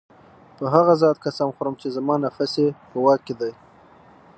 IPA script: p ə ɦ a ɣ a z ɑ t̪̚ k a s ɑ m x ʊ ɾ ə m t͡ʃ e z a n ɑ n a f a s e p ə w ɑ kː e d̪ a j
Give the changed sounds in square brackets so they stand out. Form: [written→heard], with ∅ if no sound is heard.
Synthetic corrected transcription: p ə ɦ a ɣ a z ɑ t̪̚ k a s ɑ m x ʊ ɾ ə m t͡ʃ e z a [n→m] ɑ n a f a s e p ə w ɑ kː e d̪ a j